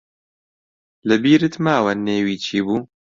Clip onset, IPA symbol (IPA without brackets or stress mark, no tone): l